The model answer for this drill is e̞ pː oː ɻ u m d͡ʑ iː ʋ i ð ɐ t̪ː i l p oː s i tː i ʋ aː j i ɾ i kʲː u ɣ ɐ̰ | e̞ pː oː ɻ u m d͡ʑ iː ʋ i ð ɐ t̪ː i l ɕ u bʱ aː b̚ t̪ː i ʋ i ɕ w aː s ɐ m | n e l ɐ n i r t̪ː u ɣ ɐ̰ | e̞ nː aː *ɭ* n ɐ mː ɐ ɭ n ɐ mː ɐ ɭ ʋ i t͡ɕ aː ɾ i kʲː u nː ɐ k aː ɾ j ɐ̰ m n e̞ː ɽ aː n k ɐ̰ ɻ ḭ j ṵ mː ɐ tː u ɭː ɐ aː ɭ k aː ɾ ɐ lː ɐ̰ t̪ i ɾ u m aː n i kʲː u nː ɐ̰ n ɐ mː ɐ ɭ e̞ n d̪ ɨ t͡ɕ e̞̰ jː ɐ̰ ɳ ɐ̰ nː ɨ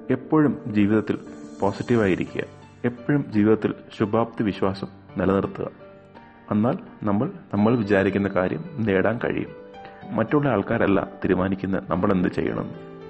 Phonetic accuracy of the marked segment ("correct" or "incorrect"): incorrect